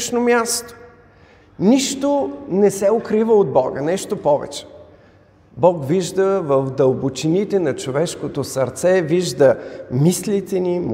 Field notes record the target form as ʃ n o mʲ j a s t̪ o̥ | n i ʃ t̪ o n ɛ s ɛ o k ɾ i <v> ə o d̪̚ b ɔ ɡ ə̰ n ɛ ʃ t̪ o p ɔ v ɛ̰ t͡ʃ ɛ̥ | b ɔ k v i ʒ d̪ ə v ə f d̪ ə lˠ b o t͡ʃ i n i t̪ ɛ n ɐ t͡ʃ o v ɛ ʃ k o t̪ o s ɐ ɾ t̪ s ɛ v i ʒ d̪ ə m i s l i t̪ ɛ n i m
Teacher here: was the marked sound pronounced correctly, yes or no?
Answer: yes